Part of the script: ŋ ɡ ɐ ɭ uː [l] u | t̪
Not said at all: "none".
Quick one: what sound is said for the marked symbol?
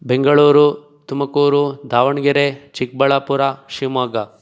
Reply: ɾ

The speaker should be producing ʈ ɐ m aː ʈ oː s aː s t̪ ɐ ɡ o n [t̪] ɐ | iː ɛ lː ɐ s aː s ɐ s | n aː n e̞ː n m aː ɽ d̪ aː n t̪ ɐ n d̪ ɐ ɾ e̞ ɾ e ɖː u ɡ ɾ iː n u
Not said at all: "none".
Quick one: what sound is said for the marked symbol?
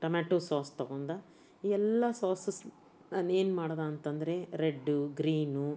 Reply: d̪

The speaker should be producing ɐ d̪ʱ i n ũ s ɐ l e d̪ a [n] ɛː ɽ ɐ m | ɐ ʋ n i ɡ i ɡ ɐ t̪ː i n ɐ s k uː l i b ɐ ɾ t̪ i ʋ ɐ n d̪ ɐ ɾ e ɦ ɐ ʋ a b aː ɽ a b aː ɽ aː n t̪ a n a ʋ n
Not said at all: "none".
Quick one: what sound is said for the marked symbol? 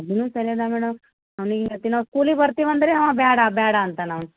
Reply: m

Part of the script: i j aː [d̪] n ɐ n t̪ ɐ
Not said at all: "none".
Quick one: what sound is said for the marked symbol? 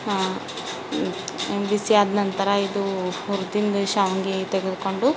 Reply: d̪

